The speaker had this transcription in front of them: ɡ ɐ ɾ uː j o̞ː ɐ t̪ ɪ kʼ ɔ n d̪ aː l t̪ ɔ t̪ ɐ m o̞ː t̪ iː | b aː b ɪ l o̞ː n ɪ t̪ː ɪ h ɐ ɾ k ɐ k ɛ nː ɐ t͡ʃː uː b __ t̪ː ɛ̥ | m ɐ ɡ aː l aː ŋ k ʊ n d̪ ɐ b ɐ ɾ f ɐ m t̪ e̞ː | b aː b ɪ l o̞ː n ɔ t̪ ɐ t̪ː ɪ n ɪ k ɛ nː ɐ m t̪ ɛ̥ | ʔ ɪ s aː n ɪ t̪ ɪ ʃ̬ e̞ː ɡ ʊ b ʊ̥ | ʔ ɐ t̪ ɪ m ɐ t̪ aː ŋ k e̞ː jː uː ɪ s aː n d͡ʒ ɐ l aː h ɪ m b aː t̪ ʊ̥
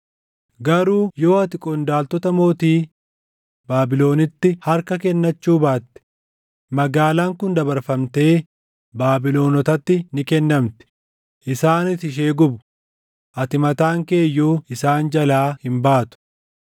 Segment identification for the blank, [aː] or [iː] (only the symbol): aː